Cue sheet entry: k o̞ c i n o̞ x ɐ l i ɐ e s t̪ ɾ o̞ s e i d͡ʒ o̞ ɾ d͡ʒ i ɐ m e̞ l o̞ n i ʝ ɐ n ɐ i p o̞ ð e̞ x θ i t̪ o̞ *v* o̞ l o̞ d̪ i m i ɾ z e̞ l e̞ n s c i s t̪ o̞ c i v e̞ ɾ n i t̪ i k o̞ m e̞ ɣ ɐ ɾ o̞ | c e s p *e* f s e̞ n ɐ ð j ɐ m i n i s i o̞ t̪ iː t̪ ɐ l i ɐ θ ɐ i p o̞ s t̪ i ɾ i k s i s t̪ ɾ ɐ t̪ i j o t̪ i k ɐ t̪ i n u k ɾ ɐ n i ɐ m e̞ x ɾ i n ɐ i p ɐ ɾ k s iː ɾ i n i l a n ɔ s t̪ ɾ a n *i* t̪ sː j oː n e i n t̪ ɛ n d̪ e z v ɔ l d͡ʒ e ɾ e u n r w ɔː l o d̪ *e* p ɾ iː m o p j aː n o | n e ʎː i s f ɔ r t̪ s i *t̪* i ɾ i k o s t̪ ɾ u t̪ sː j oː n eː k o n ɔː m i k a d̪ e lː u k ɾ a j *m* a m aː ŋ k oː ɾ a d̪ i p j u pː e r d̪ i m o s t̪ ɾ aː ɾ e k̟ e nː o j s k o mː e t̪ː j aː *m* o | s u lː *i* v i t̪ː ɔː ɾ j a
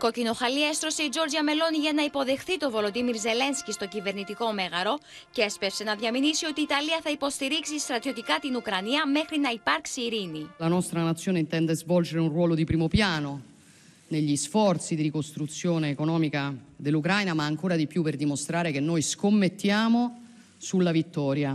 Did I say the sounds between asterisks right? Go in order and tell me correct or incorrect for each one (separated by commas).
correct, correct, incorrect, incorrect, incorrect, incorrect, correct, incorrect